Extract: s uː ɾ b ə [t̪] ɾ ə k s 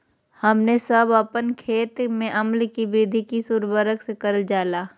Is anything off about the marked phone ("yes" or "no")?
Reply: yes